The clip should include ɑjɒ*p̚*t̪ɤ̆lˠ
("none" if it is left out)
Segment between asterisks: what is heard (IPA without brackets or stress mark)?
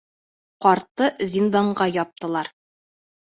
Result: p̚